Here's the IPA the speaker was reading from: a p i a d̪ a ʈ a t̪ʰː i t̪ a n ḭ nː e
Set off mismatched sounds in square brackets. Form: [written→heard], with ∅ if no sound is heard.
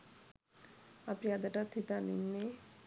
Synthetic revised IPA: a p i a d̪ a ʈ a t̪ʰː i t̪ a n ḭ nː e